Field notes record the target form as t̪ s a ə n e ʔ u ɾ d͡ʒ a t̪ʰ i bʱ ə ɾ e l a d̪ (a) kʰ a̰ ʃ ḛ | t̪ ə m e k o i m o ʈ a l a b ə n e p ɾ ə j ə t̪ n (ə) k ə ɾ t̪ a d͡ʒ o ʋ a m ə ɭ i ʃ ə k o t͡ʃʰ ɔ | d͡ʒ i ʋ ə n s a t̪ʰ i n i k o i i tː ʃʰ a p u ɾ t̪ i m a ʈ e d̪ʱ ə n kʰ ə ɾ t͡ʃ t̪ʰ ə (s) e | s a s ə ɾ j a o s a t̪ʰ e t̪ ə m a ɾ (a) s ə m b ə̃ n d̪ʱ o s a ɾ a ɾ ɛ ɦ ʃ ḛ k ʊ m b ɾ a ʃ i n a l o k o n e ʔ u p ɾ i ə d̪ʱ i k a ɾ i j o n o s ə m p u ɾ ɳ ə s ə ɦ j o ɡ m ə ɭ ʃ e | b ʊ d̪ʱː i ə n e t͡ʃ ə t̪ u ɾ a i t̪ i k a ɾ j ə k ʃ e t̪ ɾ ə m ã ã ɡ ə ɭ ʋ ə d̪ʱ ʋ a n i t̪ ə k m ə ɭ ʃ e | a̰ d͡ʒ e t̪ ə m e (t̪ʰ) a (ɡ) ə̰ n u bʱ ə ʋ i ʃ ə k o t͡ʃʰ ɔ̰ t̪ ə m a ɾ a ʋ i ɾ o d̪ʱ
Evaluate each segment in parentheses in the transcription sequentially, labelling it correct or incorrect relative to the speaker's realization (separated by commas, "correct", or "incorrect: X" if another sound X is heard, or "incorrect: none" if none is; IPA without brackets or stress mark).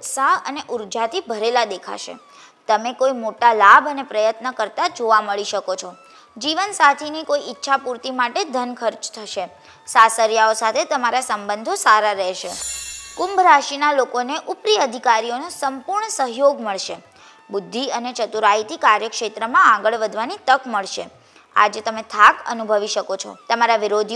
incorrect: e, correct, incorrect: ʃ, correct, correct, incorrect: k